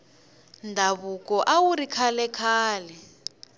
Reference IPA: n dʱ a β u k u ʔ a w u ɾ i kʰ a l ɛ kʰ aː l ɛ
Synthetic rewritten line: n dʱ a β u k ɔ ʔ a w u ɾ i kʰ a l ɛ kʰ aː l ɛ